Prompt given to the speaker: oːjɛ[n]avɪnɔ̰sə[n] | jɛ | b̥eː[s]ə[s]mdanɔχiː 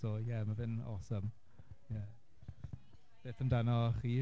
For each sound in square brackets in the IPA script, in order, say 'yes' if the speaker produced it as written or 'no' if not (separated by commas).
no, no, no, no